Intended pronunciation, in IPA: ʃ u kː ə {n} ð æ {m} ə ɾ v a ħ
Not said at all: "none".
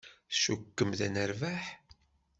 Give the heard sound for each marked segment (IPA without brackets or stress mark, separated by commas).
m, n